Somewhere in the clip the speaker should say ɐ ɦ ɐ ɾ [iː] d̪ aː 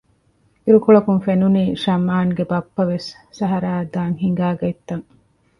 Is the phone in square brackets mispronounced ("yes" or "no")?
yes